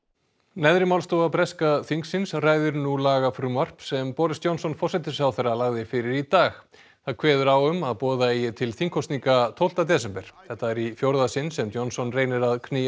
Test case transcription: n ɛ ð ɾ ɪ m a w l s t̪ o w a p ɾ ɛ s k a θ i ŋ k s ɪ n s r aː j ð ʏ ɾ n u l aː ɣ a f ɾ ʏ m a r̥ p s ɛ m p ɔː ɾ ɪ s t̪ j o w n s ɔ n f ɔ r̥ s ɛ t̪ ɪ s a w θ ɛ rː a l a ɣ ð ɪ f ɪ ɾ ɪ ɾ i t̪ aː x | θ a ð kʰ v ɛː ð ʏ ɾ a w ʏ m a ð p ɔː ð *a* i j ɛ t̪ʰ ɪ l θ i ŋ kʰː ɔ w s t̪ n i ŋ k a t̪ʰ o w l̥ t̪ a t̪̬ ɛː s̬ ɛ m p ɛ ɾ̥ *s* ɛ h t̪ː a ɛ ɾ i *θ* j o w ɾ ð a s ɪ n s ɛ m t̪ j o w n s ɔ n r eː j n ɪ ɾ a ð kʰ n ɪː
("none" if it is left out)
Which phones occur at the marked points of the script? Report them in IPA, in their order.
a, θ, f

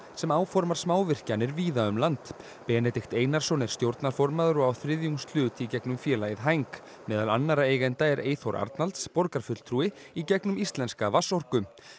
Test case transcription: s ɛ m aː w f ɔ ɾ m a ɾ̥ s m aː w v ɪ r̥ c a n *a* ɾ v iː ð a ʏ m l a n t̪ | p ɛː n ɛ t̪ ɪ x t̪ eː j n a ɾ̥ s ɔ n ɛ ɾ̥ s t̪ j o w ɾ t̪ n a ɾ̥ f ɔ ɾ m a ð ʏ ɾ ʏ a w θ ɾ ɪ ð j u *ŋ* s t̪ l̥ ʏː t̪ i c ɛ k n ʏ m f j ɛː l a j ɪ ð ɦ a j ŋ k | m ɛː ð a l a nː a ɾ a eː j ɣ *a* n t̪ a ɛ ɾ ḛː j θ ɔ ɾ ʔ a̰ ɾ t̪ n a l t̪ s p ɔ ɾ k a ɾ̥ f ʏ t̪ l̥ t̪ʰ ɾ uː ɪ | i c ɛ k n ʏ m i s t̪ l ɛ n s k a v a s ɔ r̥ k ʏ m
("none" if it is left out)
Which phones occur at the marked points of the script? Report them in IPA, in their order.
ɛ, ŋ, ɛ

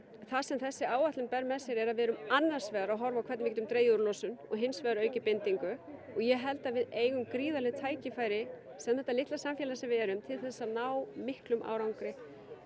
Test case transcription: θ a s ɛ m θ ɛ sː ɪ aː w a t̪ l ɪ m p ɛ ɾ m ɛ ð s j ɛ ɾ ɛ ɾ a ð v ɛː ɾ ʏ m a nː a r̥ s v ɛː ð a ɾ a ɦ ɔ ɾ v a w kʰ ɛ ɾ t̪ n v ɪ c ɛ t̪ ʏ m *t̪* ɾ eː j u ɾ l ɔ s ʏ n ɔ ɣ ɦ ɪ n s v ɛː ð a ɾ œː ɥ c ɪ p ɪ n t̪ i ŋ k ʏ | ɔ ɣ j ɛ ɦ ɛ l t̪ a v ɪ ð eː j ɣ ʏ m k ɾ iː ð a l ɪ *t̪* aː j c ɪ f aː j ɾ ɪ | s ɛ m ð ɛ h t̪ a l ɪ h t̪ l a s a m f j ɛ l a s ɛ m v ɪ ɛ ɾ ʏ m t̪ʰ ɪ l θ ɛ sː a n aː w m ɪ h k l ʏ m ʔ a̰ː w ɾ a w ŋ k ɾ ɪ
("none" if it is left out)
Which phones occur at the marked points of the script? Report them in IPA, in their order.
t̪, t̪ʰ

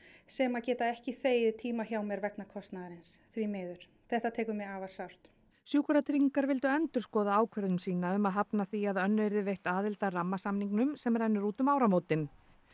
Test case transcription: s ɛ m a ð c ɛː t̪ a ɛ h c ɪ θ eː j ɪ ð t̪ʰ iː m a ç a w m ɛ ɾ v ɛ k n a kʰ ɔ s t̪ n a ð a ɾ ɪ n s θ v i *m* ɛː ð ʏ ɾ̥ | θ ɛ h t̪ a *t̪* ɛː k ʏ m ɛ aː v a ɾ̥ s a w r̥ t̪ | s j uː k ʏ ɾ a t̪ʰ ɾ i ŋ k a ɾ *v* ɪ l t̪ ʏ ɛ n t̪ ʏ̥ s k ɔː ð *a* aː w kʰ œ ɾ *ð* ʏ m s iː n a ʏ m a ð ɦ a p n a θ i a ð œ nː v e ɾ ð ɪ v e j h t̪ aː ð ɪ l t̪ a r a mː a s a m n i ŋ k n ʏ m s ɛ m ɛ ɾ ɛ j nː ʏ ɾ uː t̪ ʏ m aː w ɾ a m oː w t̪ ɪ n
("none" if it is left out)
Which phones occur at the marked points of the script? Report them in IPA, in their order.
m, t̪ʰ, v, a, ð

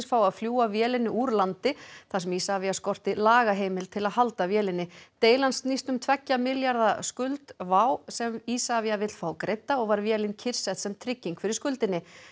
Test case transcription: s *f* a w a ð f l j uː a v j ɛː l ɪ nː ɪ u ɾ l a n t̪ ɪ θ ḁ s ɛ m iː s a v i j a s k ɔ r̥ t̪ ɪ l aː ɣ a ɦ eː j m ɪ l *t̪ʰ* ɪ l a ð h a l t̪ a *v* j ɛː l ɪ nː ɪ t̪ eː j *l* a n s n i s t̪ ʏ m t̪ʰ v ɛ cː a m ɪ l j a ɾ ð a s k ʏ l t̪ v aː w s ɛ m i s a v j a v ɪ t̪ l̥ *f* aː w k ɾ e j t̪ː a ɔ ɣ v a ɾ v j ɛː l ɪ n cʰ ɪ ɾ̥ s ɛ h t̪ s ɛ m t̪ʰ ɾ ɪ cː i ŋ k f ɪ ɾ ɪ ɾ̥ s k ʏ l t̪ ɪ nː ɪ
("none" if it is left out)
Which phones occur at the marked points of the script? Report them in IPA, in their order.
f, t̪ʰ, v, l, f

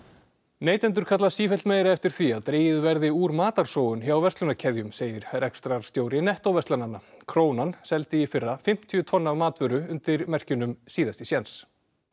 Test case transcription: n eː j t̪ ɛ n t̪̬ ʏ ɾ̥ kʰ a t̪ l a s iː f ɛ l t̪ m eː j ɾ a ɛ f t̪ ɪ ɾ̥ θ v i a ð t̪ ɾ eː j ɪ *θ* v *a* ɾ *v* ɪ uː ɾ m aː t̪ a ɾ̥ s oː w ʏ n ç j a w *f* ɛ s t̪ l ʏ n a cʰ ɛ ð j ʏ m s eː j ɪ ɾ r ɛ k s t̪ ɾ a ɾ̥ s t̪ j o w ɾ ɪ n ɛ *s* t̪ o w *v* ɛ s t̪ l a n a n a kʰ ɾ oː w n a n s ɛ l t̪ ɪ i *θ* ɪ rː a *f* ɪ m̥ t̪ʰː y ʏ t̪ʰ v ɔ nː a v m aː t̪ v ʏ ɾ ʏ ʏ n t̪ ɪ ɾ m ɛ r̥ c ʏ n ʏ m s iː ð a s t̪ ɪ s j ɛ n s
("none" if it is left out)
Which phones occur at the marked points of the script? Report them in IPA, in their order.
ð, ɛ, ð, v, h, v, f, f

